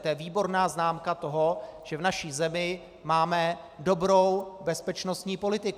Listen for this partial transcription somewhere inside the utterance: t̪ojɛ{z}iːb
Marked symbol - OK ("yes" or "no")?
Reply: no